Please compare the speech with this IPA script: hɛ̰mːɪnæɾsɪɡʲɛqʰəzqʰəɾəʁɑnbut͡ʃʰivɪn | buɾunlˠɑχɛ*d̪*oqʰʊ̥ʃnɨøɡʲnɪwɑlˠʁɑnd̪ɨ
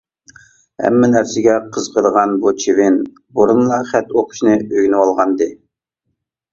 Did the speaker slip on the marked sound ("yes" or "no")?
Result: yes